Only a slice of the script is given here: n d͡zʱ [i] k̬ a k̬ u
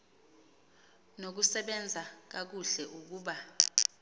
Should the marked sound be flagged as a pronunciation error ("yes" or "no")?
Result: yes